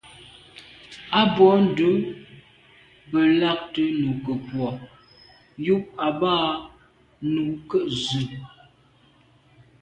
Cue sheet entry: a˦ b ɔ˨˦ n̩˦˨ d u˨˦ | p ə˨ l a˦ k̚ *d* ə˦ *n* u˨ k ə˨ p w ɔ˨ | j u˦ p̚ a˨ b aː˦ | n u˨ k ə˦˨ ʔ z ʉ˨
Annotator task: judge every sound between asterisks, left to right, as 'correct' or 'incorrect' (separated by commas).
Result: incorrect, correct